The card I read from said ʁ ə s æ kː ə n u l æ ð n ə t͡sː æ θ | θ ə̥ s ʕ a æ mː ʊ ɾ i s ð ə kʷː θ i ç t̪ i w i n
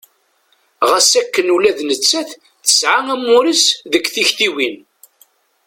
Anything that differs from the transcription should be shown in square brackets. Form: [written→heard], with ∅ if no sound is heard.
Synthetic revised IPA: ʁ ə s æ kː ə n u l æ ð n ə t͡sː æ θ | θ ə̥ s ʕ a æ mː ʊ ɾ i s ð ə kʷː θ i ç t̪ i w i n